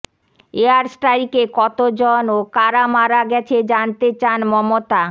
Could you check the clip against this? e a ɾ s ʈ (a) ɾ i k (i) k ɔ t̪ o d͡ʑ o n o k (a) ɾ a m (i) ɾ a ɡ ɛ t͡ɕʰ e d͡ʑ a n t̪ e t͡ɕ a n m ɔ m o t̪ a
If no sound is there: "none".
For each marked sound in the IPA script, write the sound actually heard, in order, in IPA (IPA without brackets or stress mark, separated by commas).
a, e, a, a